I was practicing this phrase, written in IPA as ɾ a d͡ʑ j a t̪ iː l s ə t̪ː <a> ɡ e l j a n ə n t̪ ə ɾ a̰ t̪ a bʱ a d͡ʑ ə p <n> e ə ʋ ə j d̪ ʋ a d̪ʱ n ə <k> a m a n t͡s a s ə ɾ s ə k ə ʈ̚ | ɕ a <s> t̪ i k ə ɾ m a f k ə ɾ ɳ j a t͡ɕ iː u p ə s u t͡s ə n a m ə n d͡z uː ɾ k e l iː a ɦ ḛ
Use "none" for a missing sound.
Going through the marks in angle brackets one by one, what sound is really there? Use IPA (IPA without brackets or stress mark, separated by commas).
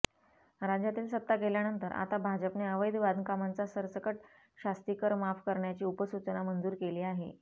a, n, k, s